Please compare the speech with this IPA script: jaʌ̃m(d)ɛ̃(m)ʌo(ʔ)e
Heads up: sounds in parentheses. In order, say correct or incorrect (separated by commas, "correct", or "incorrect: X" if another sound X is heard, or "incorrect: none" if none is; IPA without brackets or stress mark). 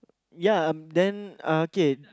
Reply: correct, incorrect: n, incorrect: k